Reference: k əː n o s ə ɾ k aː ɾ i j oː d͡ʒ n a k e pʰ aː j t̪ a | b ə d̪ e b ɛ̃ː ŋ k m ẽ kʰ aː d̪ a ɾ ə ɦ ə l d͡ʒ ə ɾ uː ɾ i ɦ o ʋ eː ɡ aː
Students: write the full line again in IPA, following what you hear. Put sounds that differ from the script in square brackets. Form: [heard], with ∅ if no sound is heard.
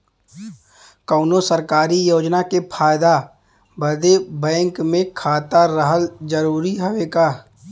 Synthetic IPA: k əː n o s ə ɾ k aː ɾ i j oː d͡ʒ n a k e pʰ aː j [d̪] a | b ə d̪ e b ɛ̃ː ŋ k m ẽ kʰ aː [t̪] a ɾ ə ɦ ə l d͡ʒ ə ɾ uː ɾ i ɦ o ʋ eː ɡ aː